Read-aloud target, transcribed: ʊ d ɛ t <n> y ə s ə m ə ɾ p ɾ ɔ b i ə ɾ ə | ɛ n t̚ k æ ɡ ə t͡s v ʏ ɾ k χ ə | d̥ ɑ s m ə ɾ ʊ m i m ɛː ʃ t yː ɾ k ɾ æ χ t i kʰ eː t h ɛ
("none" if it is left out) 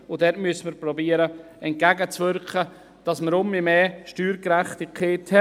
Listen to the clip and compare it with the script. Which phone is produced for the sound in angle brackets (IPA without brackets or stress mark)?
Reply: m